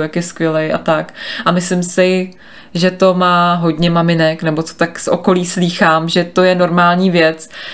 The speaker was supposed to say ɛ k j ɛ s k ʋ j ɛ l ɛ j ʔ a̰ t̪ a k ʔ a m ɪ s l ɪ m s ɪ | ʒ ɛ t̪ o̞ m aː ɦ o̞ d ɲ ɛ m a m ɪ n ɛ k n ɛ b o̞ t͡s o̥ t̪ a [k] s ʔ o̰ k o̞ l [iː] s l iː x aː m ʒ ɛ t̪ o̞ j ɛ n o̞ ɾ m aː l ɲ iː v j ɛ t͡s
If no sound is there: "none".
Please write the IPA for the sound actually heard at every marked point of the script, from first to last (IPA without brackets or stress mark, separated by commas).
k, iː